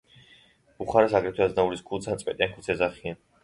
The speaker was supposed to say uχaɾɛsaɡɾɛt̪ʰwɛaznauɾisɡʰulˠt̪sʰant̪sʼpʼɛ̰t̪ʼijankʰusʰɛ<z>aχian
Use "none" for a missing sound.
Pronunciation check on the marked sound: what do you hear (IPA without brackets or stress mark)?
z